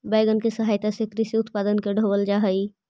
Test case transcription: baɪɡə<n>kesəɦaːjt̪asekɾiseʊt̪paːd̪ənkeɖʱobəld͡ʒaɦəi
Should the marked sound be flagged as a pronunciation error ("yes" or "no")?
no